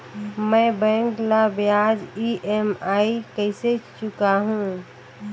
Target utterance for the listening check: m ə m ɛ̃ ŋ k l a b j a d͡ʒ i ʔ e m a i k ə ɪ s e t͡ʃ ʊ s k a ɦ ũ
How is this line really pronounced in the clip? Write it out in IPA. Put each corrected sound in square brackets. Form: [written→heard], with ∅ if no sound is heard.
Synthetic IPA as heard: m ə [m→b] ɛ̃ ŋ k l a b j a d͡ʒ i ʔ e m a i k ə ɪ s e t͡ʃ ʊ [s→∅] k a ɦ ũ